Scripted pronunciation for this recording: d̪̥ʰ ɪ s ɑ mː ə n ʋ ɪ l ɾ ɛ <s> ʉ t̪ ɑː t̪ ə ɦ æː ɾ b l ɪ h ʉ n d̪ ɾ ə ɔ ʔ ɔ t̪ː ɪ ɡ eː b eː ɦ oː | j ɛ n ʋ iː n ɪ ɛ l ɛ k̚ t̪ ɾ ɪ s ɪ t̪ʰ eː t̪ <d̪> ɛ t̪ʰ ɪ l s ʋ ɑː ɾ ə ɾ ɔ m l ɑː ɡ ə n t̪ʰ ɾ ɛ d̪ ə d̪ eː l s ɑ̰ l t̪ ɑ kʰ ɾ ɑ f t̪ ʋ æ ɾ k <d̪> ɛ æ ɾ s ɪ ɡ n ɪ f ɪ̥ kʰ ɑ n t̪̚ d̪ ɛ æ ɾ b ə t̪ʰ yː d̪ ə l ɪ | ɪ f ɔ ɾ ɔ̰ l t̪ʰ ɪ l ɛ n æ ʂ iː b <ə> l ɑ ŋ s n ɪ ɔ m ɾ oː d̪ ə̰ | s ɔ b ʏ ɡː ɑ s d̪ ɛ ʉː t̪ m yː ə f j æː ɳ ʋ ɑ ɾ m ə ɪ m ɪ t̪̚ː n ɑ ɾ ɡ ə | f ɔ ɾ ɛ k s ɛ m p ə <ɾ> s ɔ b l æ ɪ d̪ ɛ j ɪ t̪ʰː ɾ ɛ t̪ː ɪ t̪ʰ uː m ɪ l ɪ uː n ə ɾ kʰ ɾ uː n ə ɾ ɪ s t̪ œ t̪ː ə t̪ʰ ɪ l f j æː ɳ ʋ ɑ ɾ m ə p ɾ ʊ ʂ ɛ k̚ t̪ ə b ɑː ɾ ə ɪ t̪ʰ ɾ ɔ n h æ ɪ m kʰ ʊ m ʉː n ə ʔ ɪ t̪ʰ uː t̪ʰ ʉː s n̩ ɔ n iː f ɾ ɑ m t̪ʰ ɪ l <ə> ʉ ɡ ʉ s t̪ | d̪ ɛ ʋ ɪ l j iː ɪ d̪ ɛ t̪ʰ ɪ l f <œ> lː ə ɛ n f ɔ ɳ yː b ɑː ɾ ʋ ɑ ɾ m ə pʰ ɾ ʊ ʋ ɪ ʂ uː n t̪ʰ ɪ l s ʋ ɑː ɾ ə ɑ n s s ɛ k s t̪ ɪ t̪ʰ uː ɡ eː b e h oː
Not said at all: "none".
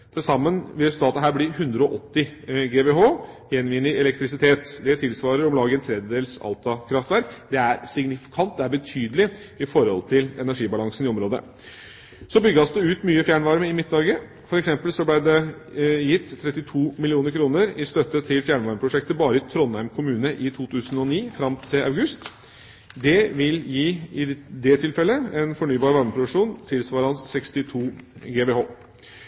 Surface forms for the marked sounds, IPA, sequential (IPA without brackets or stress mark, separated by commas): s, d̪, d̪, ɑ, l, ɑ, ɛ